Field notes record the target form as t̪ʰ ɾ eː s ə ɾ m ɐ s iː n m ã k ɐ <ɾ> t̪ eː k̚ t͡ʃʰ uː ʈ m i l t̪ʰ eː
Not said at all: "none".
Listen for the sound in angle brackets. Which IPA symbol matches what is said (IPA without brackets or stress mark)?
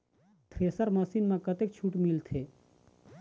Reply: none